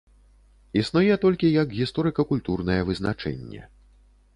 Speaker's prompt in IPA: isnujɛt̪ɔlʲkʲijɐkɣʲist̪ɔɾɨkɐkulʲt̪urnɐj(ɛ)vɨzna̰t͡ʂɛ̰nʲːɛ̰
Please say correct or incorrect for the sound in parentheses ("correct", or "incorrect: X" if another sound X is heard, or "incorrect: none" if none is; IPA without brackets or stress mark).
correct